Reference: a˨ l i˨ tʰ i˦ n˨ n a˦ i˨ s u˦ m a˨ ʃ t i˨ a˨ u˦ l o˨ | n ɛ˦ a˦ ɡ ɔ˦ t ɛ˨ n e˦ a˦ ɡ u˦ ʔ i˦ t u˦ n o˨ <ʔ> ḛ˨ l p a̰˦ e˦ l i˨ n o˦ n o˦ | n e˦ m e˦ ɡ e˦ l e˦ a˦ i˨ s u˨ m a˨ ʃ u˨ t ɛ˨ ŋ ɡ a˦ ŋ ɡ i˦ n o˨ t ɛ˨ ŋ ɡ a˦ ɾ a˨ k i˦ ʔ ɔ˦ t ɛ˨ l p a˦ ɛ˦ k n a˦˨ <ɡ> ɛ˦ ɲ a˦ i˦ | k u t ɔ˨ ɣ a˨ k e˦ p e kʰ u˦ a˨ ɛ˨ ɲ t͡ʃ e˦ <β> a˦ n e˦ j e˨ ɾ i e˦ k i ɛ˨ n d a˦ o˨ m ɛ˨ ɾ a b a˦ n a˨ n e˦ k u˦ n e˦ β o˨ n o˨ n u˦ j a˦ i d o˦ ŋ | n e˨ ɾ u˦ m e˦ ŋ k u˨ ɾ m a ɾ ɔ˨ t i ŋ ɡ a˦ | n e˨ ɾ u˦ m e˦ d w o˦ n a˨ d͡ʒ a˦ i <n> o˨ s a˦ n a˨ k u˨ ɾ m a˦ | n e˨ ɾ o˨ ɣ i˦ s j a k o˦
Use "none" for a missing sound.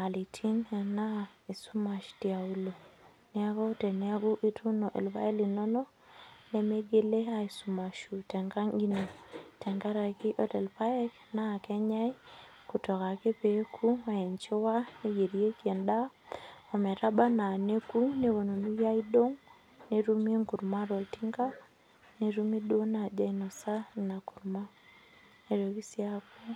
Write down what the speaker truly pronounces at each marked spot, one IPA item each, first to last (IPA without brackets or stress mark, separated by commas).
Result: ʔ, k, w, n